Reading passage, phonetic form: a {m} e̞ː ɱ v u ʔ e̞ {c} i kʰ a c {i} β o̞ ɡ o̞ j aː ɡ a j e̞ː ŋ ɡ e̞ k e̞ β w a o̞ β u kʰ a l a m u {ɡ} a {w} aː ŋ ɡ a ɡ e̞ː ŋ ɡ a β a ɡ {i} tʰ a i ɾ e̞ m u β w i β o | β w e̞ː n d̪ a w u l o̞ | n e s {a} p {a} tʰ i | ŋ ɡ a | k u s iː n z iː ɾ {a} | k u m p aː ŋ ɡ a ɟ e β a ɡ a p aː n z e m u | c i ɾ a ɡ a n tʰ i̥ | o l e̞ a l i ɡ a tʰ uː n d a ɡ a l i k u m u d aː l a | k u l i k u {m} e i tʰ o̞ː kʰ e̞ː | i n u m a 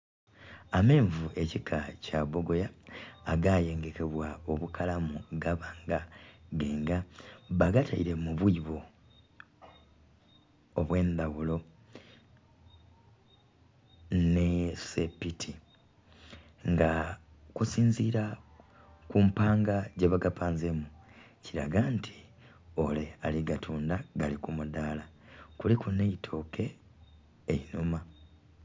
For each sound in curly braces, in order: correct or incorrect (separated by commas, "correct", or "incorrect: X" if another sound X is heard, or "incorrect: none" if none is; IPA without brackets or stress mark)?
correct, correct, incorrect: a, correct, incorrect: β, incorrect: a, incorrect: e, incorrect: i, correct, incorrect: n